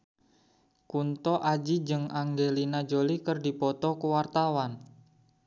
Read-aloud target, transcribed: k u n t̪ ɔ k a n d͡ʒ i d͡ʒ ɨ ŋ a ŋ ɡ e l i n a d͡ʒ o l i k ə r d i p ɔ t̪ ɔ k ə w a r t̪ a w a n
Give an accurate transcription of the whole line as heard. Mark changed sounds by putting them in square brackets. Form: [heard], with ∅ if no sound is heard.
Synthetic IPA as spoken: k u n t̪ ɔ [ʔ] a [∅] d͡ʒ i d͡ʒ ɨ ŋ a ŋ ɡ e l i n a d͡ʒ o l i k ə r d i p ɔ t̪ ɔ k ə w a r t̪ a w a n